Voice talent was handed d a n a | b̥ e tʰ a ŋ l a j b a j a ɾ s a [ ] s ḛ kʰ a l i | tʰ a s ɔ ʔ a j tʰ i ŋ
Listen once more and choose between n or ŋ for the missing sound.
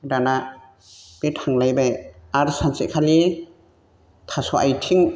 n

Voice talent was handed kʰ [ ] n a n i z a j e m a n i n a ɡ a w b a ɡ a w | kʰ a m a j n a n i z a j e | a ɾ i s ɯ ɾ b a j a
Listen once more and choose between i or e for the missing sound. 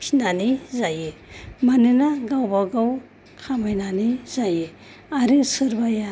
i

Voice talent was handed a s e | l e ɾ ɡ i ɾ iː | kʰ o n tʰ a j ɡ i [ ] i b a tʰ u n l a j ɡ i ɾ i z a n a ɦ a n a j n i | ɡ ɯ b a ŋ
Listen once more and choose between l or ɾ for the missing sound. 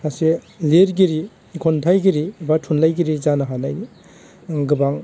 ɾ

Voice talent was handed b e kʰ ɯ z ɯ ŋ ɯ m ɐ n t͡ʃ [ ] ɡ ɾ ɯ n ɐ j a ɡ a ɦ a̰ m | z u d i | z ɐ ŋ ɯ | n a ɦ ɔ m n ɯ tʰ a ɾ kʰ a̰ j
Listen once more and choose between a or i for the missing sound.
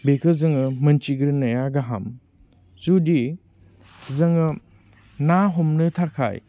i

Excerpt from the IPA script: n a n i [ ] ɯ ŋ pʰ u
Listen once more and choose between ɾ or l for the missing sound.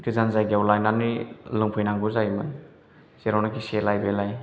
l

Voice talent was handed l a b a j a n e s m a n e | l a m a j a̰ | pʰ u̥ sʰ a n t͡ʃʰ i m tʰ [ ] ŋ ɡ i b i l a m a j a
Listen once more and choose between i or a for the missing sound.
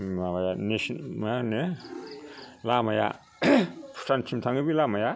a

